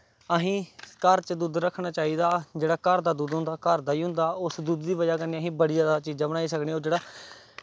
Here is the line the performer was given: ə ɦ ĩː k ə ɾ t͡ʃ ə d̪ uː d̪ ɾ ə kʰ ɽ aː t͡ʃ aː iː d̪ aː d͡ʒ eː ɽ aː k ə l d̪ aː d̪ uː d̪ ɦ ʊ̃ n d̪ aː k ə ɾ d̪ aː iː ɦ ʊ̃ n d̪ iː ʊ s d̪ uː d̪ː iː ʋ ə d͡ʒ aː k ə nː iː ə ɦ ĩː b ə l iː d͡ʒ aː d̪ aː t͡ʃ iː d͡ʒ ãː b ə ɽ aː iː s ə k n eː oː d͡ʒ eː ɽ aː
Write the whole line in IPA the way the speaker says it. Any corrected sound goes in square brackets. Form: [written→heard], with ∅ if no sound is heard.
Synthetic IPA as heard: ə ɦ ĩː k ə ɾ t͡ʃ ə d̪ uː d̪ ɾ ə kʰ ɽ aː t͡ʃ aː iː d̪ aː d͡ʒ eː ɽ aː k ə [l→ɾ] d̪ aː d̪ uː d̪ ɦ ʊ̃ n d̪ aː k ə ɾ d̪ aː iː ɦ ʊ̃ n d̪ [iː→aː] ʊ s d̪ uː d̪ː iː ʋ ə d͡ʒ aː k ə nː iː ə ɦ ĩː b ə [l→ɽ] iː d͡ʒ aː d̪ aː t͡ʃ iː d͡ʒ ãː b ə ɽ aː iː s ə k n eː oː d͡ʒ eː ɽ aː